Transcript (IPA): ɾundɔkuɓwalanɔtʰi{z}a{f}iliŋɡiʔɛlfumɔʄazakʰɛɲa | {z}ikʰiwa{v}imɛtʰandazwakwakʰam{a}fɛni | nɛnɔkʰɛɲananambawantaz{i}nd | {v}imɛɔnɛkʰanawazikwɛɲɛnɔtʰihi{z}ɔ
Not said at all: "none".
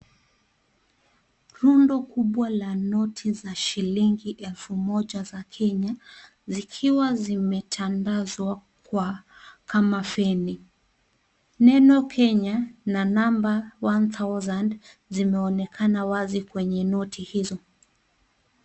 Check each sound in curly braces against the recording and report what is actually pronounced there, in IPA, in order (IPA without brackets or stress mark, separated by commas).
z, ʃ, z, z, a, a, z, z